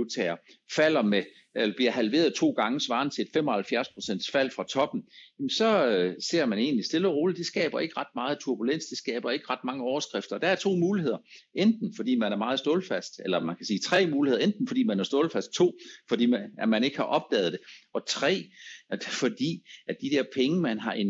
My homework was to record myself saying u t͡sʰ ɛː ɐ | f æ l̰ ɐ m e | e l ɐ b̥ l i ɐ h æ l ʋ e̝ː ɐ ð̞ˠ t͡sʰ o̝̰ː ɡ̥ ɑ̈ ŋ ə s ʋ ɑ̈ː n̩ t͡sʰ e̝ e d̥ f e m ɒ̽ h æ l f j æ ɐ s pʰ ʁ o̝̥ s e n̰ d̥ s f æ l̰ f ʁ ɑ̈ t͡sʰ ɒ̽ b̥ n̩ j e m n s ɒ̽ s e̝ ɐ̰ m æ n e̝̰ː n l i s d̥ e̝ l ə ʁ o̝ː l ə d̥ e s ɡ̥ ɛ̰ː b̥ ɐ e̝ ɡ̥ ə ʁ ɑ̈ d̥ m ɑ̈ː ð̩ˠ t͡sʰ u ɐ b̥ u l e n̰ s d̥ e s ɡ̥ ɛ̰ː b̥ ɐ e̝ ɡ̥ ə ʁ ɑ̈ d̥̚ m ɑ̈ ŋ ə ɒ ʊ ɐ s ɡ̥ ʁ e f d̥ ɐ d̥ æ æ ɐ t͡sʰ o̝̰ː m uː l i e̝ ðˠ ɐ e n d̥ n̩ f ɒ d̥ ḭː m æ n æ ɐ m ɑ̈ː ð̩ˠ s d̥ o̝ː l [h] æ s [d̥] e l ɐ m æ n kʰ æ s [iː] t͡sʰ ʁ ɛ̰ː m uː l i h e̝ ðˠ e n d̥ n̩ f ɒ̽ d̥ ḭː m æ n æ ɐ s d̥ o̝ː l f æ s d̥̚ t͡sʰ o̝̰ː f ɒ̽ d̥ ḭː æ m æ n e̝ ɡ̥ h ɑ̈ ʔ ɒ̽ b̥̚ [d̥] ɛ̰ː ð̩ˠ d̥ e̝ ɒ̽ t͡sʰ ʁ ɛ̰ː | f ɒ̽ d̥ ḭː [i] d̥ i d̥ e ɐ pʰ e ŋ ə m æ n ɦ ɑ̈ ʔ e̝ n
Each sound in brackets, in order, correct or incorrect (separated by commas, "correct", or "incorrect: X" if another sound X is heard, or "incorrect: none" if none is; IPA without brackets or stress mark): incorrect: f, correct, correct, correct, incorrect: æ